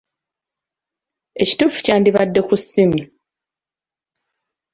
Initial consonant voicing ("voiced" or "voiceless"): voiceless